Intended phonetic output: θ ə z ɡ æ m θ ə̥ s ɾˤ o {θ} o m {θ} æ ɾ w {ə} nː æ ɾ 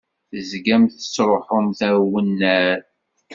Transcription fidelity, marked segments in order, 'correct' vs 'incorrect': incorrect: ħ, correct, correct

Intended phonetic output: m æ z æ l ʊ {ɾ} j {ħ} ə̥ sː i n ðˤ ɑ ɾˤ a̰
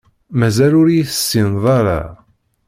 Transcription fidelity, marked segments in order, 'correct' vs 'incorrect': correct, incorrect: θ

